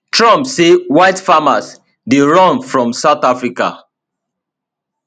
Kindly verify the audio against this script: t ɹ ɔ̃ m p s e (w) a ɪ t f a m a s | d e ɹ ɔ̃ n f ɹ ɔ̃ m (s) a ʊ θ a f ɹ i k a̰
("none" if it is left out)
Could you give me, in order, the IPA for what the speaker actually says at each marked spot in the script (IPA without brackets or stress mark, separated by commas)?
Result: w, s